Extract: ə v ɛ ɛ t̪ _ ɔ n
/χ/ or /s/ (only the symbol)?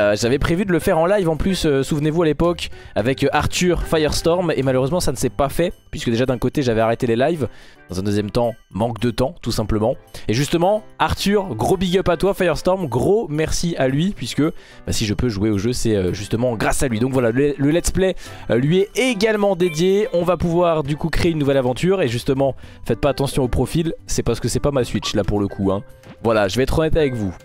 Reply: χ